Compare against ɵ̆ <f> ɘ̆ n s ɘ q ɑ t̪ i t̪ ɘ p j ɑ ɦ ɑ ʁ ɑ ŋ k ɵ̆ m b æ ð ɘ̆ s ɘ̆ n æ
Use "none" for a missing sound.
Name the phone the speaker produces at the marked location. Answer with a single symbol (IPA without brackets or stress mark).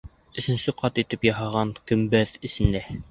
s